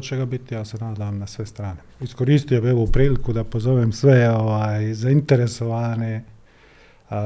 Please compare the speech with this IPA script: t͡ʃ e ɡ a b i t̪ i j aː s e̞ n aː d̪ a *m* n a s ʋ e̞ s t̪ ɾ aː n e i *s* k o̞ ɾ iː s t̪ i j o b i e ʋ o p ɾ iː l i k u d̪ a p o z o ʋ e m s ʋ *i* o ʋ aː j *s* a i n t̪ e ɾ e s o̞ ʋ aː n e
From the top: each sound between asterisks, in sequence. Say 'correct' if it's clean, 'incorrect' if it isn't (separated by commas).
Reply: correct, correct, incorrect, incorrect